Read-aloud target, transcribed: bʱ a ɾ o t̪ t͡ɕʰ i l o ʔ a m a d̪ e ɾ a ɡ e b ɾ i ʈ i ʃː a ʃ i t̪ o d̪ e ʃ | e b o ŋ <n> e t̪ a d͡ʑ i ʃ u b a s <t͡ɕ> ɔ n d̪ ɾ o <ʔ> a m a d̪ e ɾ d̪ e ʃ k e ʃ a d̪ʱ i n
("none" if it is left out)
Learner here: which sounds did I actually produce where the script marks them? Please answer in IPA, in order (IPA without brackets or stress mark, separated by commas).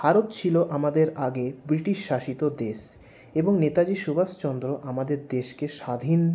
n, t͡ɕ, ʔ